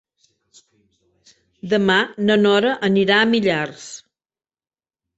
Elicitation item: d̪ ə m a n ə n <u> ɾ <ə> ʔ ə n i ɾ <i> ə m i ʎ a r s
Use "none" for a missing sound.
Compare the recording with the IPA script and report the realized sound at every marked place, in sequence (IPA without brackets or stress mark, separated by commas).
ɔ, ə, a